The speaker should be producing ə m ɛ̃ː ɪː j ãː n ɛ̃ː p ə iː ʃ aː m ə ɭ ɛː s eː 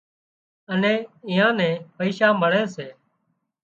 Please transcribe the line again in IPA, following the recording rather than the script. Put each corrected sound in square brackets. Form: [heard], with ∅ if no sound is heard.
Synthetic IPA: ə [n] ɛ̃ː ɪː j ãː n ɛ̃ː p ə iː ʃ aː m ə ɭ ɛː s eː